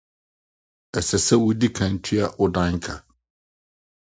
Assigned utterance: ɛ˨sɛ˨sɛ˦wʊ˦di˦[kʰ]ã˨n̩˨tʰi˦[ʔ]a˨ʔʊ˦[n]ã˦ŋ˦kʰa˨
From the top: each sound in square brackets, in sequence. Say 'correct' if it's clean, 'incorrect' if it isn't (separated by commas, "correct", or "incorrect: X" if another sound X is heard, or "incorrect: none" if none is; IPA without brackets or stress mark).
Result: correct, incorrect: none, incorrect: d